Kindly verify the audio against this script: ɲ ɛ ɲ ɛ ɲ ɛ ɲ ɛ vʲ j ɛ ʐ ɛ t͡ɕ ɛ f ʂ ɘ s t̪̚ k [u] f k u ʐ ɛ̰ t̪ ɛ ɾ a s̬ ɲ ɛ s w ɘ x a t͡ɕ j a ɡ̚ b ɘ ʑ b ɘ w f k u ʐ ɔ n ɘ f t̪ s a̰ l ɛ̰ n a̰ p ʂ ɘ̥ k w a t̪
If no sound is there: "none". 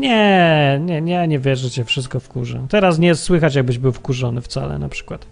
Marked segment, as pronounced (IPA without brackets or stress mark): ɔ